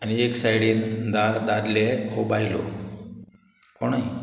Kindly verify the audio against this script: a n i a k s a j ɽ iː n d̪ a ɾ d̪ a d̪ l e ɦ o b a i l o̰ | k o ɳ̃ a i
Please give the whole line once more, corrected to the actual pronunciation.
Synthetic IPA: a n i e k s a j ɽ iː n d̪ a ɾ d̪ a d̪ l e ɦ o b a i l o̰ | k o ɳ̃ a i